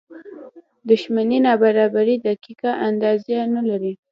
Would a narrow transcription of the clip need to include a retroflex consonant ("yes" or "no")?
no